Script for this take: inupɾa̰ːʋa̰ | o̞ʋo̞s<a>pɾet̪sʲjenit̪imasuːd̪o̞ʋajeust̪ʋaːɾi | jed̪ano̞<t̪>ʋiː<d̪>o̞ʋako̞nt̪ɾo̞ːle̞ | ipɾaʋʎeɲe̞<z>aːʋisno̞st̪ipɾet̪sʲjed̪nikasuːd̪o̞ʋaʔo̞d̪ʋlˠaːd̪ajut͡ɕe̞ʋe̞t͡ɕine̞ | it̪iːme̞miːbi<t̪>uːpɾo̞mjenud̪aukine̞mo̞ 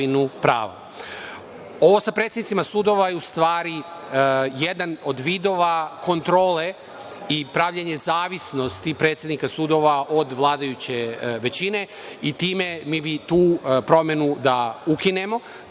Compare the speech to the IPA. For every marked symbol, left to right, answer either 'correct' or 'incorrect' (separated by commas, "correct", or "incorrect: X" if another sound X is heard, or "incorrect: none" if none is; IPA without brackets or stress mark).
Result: correct, incorrect: d̪, correct, correct, correct